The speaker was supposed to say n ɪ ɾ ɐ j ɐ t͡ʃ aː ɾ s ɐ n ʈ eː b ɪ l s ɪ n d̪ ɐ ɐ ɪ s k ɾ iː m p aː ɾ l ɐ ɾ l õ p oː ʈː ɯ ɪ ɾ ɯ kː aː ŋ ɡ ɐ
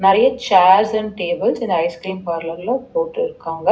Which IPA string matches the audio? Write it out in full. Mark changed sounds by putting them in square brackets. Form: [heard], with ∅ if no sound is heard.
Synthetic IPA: n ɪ ɾ ɐ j ɐ t͡ʃ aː ɾ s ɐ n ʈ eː b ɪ l s ɪ n d̪ ɐ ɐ ɪ s k ɾ iː m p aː ɾ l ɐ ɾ l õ p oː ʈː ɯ ɪ ɾ ɯ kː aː ŋ ɡ ɐ